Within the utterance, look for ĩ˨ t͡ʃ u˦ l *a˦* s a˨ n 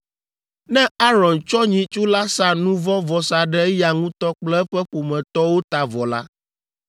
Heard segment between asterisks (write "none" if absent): a˦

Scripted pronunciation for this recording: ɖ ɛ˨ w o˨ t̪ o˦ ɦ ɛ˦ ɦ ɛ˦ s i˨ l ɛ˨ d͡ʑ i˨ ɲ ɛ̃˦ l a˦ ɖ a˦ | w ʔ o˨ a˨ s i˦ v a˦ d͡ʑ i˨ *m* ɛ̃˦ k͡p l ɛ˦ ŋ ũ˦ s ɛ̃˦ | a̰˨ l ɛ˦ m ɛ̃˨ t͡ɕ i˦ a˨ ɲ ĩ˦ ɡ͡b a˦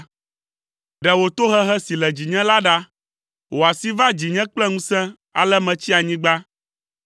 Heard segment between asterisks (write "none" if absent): ɲ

